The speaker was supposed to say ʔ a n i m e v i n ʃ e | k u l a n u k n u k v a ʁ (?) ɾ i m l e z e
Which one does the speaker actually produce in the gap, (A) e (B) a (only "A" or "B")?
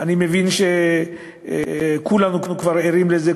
A